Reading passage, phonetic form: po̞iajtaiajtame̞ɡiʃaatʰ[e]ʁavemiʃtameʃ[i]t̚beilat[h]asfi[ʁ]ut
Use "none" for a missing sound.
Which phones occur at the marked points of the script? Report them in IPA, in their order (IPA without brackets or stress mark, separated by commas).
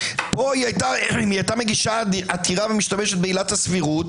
i, e, h, ʁ